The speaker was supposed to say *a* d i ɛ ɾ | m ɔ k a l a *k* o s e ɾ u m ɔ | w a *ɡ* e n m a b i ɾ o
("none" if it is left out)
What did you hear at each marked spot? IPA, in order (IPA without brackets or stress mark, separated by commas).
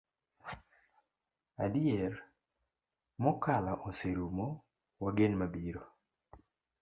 a, ʔ, ɡ